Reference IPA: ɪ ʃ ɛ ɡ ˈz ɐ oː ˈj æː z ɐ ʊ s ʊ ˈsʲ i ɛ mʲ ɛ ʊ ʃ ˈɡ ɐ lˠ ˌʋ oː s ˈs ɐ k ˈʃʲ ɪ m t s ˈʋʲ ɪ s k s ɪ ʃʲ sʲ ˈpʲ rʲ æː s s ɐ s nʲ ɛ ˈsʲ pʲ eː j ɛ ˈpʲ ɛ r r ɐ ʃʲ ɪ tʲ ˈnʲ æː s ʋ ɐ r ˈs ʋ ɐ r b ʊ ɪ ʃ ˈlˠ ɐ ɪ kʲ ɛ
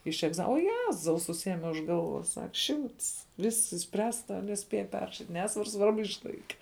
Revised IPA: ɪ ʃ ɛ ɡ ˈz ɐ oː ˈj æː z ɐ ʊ s ʊ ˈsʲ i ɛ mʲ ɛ ʊ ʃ ˈɡ ɐ lˠ ˌʋ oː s ˈs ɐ k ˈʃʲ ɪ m t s ˈʋʲ ɪ s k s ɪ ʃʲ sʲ ˈpʲ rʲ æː s t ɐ nʲ ɛ ˈsʲ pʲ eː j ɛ ˈpʲ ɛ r r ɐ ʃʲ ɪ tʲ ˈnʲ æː s ʋ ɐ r ˈs ʋ ɐ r b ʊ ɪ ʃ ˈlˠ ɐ ɪ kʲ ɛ